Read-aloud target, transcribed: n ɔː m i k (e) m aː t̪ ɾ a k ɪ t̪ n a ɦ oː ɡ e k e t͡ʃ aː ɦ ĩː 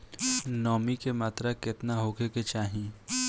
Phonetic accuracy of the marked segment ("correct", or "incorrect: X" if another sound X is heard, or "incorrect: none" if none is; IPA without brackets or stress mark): correct